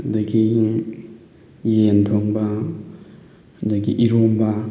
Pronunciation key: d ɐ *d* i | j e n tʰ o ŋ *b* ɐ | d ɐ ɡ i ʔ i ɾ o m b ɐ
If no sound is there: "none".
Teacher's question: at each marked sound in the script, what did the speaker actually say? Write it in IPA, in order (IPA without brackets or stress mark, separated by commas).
ɡ, b